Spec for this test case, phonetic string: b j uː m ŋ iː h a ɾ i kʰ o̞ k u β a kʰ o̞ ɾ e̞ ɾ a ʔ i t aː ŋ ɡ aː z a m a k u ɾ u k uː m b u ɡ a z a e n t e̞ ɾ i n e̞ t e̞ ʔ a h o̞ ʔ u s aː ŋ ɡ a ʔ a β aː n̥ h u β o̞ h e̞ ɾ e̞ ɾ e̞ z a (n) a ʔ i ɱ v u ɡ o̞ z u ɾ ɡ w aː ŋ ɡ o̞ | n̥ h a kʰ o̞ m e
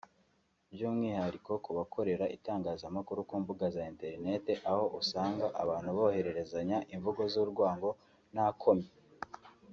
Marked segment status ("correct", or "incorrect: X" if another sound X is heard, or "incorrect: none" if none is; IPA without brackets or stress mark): incorrect: ɲ